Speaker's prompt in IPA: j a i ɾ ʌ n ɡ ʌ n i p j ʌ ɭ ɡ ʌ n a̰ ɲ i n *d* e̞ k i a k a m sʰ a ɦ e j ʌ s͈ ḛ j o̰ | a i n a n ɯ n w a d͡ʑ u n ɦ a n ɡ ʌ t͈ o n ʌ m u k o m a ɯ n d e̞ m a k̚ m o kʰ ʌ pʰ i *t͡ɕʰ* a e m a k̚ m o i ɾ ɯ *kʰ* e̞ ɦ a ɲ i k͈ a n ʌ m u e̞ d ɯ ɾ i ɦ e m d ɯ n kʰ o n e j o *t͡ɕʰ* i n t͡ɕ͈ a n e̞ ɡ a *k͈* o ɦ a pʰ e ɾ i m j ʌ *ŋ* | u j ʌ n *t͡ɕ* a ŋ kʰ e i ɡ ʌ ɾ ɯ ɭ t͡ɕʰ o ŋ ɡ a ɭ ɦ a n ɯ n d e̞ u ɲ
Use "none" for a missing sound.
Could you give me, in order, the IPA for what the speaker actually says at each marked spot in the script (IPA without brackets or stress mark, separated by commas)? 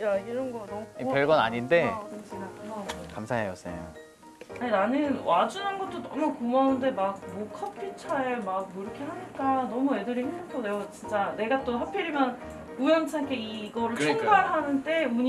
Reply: d, t͡ɕʰ, kʰ, t͡ɕ, t͈, n, t͡ɕʰ